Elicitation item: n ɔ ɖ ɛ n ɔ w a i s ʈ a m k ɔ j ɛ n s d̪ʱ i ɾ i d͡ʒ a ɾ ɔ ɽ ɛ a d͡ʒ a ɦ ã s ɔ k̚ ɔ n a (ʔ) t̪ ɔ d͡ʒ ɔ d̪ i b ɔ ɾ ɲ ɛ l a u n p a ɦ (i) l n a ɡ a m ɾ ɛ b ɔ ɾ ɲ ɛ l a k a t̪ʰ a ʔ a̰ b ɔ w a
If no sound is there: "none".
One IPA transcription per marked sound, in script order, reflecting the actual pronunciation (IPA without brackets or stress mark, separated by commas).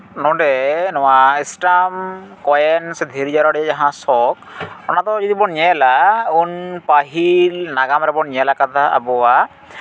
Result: none, i